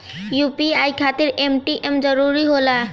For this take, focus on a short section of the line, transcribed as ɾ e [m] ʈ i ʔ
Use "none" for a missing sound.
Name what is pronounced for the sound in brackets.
m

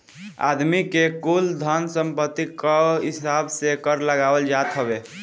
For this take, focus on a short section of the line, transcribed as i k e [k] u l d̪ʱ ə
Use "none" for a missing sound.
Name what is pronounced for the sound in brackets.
k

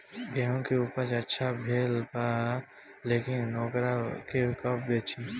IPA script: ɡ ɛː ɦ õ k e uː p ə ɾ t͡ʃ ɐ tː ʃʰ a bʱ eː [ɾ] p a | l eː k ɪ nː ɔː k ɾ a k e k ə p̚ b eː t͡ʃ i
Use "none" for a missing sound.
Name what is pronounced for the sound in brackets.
l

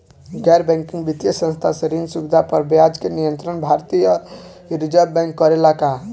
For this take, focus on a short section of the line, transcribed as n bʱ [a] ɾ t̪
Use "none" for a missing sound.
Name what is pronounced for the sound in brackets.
a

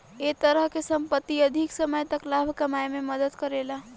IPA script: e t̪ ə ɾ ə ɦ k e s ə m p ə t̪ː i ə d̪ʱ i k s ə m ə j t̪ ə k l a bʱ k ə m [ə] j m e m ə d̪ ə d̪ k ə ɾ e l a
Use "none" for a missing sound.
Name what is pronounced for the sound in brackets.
a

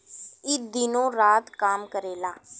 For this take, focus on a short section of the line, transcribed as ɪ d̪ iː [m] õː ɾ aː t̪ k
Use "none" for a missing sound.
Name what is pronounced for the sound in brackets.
n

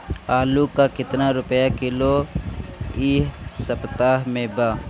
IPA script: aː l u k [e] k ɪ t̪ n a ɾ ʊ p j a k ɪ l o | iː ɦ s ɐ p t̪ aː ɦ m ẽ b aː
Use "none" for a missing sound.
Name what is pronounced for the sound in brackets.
a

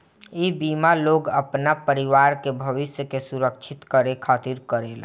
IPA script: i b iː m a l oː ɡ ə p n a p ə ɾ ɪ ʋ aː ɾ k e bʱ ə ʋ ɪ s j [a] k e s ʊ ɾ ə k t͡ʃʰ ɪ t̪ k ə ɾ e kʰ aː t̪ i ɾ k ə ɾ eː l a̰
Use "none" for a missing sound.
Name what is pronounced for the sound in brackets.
ə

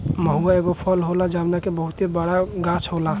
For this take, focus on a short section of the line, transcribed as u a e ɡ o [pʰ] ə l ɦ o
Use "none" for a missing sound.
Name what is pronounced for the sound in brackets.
pʰ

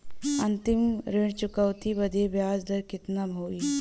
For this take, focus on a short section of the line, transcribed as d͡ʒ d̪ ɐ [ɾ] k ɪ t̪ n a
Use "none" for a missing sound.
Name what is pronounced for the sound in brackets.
ɾ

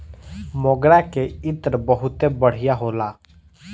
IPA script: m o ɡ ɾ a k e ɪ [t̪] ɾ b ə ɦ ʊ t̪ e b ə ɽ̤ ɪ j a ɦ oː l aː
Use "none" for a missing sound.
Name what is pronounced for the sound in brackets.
t̪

